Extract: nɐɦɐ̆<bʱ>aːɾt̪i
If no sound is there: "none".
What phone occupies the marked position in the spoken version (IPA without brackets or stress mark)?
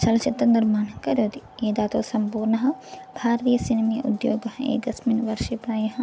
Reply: bʱ